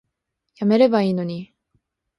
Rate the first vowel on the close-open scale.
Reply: open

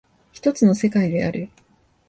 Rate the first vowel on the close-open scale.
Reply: close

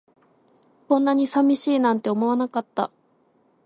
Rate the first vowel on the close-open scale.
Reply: mid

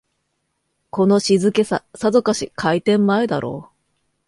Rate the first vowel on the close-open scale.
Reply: mid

